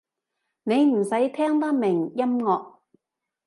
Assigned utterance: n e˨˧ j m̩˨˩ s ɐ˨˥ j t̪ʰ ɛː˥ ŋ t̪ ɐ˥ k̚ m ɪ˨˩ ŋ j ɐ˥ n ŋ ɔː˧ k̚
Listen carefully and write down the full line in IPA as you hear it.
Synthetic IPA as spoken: n e˨˧ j m̩˨˩ s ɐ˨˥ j t̪ʰ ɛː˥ ŋ t̪ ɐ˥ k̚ m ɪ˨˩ ŋ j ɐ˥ m ŋ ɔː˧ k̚